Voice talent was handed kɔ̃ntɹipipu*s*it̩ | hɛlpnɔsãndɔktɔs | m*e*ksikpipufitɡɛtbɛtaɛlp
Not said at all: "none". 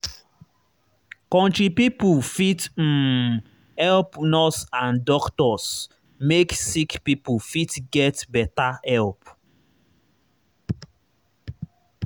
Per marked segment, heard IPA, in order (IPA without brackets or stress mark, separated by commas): f, e